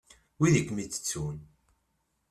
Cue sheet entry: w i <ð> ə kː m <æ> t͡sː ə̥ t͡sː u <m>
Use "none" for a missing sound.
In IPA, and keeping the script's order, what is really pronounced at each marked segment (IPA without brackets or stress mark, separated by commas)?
ð, i, n